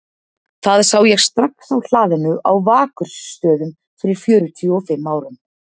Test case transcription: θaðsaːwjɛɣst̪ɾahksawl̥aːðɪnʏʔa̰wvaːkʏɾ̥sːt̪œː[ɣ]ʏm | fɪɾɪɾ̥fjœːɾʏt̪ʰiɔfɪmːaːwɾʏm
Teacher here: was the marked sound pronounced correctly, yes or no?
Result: no